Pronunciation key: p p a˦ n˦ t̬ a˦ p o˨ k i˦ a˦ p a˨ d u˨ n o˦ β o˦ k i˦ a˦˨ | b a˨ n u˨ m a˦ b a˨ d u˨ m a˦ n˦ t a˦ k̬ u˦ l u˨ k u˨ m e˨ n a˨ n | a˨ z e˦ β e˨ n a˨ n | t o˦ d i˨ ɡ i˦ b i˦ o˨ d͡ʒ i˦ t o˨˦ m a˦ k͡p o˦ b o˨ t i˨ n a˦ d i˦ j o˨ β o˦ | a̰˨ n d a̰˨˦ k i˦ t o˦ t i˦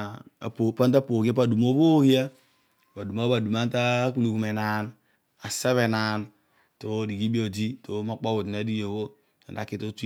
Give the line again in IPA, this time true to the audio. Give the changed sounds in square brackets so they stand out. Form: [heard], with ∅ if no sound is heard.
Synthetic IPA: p p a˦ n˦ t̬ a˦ p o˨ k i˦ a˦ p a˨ d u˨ [m] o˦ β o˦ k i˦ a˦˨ | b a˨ [d] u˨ m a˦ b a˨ d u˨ m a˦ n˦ t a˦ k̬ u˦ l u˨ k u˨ m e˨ n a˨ n | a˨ [s] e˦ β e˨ n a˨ n | t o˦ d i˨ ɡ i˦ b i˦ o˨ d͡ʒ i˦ t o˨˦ m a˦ k͡p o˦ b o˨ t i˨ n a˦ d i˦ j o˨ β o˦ | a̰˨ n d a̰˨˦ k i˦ t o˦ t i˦

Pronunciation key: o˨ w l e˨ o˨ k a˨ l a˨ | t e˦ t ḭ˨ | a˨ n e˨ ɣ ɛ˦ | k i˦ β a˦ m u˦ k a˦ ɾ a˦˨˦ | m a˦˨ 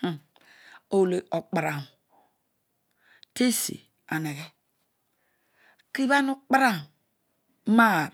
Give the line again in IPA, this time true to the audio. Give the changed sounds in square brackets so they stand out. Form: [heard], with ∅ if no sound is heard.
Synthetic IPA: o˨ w l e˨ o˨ [k͡p] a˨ [ɾ] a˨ | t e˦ [s] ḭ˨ | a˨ n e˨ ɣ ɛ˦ | k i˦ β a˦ [n] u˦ [k͡p] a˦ ɾ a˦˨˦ | m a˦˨

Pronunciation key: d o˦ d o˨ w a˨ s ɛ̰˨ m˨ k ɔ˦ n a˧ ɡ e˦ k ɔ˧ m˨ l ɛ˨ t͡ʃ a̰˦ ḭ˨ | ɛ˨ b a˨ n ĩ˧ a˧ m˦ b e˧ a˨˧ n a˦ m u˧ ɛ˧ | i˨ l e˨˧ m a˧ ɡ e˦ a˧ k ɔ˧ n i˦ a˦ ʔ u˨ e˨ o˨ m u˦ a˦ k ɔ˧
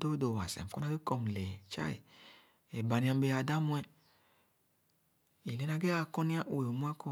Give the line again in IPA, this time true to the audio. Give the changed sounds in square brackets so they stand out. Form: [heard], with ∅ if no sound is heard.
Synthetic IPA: d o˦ d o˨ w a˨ s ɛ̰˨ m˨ k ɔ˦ n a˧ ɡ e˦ k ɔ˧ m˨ l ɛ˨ t͡ʃ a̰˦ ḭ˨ | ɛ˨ b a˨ n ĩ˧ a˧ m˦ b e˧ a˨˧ [d] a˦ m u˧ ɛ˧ | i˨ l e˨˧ [n] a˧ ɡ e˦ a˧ k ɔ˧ n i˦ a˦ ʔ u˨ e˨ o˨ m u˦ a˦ k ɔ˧

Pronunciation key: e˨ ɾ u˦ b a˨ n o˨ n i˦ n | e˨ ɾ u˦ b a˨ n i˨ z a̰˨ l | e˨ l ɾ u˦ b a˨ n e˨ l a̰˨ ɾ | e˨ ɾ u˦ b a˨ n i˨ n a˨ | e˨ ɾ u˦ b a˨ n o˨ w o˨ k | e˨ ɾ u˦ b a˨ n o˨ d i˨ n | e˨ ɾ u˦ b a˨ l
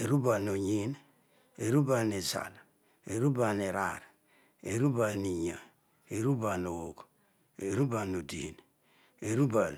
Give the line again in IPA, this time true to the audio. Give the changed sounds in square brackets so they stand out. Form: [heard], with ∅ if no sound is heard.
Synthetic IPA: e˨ ɾ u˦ b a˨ n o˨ [ɲ] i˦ n | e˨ ɾ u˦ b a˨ n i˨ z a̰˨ l | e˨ [∅] ɾ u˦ b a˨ n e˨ [ɾ] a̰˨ ɾ | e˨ ɾ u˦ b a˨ n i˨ [ɲ] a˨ | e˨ ɾ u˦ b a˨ n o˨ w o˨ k | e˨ ɾ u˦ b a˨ n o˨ d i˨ n | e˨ ɾ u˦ b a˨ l

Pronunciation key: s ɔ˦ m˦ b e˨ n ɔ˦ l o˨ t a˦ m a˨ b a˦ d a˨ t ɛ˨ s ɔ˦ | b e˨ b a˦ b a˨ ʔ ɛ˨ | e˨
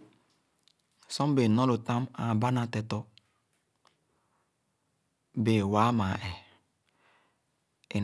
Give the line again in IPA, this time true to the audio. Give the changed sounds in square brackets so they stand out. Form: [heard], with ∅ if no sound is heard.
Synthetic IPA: s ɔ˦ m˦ b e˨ n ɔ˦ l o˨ t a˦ m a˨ b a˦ [n] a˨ t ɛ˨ [t] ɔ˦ | b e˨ [w] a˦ [m] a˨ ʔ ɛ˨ | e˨

